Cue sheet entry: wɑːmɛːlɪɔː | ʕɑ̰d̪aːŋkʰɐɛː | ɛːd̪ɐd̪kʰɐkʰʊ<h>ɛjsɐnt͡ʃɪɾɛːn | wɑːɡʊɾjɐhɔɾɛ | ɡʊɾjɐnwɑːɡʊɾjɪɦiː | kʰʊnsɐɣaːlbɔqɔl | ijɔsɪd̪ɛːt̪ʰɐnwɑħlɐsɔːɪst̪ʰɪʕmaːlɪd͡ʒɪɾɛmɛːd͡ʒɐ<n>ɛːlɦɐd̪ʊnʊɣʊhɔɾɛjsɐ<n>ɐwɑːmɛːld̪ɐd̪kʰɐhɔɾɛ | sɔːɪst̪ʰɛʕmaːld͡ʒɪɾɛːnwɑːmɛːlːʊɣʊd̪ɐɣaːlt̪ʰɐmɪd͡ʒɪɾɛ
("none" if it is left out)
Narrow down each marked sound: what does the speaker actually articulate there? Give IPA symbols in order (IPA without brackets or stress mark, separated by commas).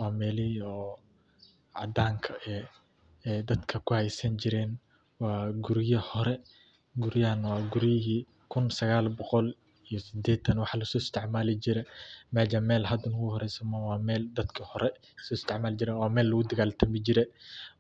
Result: h, m, m